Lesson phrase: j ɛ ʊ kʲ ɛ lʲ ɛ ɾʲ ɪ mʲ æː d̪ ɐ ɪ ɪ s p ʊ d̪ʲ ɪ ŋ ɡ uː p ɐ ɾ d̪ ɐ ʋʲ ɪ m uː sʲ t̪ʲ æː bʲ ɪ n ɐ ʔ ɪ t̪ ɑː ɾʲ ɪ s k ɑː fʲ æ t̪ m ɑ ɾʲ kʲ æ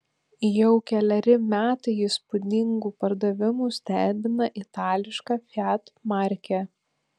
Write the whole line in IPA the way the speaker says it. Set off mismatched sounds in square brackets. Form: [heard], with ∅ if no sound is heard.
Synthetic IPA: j ɛ ʊ kʲ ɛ lʲ ɛ ɾʲ ɪ mʲ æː [t̪] ɐ ɪ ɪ s p ʊ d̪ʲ ɪ ŋ ɡ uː p ɐ ɾ d̪ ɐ ʋʲ ɪ m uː sʲ t̪ʲ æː bʲ ɪ n ɐ ʔ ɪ t̪ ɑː [lʲ] ɪ [ʃ] k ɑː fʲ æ t̪ m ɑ ɾʲ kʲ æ